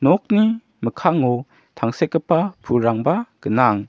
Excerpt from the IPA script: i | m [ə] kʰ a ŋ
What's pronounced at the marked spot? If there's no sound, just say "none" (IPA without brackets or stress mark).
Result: ə